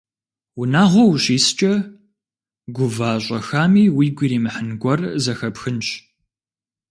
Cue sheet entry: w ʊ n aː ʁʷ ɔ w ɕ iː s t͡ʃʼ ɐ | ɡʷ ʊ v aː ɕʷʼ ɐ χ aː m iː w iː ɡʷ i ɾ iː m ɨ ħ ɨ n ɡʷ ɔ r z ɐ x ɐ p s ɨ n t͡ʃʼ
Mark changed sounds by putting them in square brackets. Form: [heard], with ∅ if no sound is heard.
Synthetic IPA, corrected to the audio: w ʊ n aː ʁʷ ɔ w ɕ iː s t͡ʃʼ ɐ | ɡʷ ʊ v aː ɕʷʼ ɐ [x] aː m iː w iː ɡʷ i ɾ iː m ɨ ħ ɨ n ɡʷ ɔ r z ɐ x ɐ p [x] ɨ n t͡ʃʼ

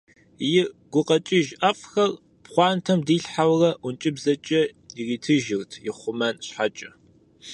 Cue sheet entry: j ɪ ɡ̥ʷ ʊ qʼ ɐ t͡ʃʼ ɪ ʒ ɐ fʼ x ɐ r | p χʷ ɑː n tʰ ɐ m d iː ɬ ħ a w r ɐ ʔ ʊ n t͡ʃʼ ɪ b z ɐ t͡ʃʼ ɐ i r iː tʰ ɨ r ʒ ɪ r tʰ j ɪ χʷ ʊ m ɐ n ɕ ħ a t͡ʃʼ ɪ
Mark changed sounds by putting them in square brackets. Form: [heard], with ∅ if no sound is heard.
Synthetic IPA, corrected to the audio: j ɪ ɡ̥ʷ ʊ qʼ ɐ t͡ʃʼ ɪ ʒ ɐ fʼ x ɐ r | p χʷ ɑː n tʰ ɐ m d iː ɬ ħ a w r ɐ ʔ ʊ n t͡ʃʼ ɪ b z ɐ t͡ʃʼ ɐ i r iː tʰ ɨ [∅] ʒ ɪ r tʰ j ɪ χʷ ʊ m ɐ n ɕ ħ a t͡ʃʼ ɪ

